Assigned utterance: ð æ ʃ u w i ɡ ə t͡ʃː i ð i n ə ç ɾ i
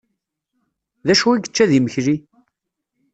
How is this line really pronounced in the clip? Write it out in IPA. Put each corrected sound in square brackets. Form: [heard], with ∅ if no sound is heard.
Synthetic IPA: ð æ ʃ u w i ɡ ə t͡ʃː [æ] ð i [m] ə ç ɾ i